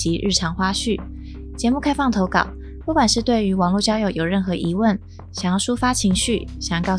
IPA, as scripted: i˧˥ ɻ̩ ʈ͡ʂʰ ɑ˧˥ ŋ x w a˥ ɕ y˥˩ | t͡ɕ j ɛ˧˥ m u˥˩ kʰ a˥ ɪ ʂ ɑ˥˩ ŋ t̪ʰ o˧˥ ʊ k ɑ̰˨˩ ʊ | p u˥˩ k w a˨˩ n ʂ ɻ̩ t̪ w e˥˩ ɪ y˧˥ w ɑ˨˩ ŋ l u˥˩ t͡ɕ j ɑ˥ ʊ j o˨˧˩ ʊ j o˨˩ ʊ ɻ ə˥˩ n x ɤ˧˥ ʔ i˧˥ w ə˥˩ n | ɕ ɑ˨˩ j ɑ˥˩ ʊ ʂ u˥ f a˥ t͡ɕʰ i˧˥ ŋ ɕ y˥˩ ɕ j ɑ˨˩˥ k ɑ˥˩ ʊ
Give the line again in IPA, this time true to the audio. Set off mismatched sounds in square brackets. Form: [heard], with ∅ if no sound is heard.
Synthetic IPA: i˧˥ ɻ̩ ʈ͡ʂʰ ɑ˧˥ ŋ x w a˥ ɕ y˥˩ | t͡ɕ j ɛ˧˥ m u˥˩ kʰ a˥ ɪ [f] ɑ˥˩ ŋ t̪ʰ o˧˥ ʊ k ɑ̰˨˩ ʊ | p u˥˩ k w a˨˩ n ʂ ɻ̩ t̪ w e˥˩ ɪ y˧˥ w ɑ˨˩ ŋ l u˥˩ t͡ɕ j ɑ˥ ʊ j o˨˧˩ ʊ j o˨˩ ʊ ɻ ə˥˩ n x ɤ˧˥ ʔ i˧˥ w ə˥˩ n | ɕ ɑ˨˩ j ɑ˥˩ ʊ ʂ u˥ f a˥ t͡ɕʰ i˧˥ ŋ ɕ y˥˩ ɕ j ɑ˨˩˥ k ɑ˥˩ ʊ